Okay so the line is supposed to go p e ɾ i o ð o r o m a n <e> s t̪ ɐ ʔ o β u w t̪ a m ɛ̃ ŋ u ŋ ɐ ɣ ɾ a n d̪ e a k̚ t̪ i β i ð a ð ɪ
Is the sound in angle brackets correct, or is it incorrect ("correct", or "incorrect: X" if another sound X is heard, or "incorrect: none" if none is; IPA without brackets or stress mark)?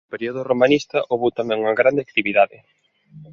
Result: incorrect: i